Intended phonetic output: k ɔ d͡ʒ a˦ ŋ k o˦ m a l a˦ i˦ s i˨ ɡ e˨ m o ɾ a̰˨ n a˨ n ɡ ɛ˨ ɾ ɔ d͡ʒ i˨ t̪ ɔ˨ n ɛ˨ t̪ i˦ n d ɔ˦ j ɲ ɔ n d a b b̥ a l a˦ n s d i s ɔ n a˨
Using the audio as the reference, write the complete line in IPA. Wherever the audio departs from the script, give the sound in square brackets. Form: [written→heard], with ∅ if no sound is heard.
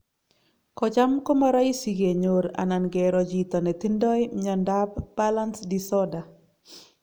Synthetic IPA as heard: k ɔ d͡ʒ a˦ [ŋ→m] k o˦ m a [l→ɾ] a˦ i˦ s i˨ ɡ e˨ [m→ɲ] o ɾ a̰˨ n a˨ n ɡ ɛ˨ ɾ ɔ d͡ʒ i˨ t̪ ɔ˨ n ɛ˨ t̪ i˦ n d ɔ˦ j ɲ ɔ n d a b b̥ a l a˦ n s d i s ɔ [n→d] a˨